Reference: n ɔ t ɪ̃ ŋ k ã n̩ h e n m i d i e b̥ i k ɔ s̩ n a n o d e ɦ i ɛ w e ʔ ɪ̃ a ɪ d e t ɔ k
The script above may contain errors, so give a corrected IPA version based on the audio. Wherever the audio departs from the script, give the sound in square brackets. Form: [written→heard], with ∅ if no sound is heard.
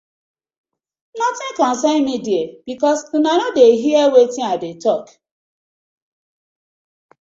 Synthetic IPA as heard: n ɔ t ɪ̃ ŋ k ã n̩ [h→s] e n m i d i e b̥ i k ɔ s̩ n a n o d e ɦ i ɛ w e [ʔ→t] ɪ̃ a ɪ d e t ɔ k